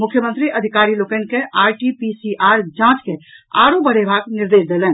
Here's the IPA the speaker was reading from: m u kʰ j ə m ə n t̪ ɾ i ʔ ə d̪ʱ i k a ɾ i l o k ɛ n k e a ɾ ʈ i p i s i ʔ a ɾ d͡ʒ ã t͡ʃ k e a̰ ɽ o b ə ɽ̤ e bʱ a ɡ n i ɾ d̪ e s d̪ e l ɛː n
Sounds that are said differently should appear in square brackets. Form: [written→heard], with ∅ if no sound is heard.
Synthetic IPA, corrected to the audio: m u kʰ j ə m ə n t̪ ɾ i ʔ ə d̪ʱ i k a ɾ i l o k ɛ n k e a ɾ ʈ i p i s i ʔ a ɾ d͡ʒ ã t͡ʃ k e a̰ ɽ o b ə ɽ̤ e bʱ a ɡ n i ɾ d̪ e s d̪ e l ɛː n